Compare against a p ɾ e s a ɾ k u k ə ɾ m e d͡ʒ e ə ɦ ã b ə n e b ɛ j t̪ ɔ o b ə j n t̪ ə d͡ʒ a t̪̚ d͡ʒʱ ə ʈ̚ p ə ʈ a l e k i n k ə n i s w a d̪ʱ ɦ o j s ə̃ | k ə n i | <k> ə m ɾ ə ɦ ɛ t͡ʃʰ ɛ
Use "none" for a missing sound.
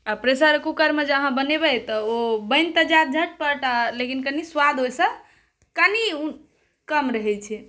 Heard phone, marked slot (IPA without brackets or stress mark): k